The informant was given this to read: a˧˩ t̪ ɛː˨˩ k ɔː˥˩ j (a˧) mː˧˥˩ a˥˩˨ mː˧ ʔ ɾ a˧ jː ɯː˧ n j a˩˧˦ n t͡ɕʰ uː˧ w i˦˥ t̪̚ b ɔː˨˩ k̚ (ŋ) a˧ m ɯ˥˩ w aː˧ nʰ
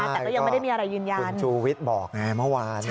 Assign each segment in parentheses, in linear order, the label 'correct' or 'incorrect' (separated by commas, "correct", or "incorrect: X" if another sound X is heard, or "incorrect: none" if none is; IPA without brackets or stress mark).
correct, correct